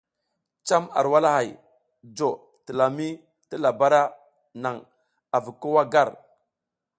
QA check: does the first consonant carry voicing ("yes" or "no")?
no